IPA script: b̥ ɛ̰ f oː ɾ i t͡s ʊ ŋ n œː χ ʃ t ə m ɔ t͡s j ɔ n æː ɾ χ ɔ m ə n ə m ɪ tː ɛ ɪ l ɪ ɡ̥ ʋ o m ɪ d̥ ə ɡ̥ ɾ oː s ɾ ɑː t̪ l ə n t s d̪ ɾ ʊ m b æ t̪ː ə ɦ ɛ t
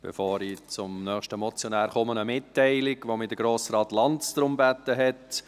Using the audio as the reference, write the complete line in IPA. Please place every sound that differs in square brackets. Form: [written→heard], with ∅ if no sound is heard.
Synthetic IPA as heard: b̥ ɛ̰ f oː ɾ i t͡s ʊ [ŋ→m] n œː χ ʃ t ə m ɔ t͡s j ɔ n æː ɾ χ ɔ m ə n ə m ɪ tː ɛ ɪ l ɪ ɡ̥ ʋ o m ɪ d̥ ə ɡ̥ ɾ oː s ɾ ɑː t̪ l [ə→ɑ] n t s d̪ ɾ ʊ m b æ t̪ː ə ɦ ɛ t

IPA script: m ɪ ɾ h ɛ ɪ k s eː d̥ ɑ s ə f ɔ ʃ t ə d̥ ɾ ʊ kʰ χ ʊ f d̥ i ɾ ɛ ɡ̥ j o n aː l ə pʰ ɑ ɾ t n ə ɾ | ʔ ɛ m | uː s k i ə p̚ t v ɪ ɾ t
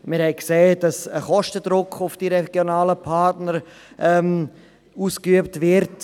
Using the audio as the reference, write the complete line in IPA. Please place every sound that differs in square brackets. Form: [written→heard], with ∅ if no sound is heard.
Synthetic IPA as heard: m ɪ ɾ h ɛ ɪ k s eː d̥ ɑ s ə [f→χ] ɔ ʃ t ə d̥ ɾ ʊ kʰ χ ʊ f d̥ i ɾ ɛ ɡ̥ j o n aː l ə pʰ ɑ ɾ t n ə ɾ | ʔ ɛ m | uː s k [i→y] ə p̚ t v ɪ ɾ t

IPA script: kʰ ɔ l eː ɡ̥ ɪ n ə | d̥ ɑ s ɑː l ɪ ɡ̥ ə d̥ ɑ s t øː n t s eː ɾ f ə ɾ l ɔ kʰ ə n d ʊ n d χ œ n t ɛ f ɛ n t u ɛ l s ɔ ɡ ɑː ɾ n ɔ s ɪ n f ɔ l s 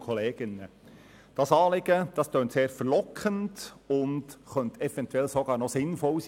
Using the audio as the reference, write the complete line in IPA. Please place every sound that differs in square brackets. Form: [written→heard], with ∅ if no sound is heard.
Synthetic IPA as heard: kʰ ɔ l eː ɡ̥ ɪ n ə | d̥ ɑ s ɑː l ɪ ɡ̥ ə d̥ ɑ s t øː n t s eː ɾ f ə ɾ l ɔ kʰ ə n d ʊ n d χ œ n t ɛ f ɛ n t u ɛ l s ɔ ɡ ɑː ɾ n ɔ s ɪ n f ɔ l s

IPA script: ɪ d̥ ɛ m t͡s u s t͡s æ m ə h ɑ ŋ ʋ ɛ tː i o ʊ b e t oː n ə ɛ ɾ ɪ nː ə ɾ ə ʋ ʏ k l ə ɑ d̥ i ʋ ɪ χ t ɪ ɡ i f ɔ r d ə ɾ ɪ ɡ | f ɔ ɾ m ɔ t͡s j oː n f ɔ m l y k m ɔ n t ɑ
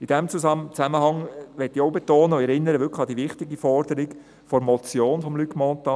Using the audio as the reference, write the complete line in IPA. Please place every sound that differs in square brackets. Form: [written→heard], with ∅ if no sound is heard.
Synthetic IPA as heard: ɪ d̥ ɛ m t͡s u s t͡s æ m ə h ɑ ŋ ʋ ɛ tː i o ʊ b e t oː n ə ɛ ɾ ɪ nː ə ɾ ə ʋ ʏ k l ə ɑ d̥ i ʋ ɪ χ t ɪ ɡ i f ɔ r d ə ɾ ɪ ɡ | f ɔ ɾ m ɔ t͡s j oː n f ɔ m l y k m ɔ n t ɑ

